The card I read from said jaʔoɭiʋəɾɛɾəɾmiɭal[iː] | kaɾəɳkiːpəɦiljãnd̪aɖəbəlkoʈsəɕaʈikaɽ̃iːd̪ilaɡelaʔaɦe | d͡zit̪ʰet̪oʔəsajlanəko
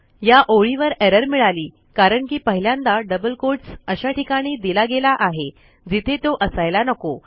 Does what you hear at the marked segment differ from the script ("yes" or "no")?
no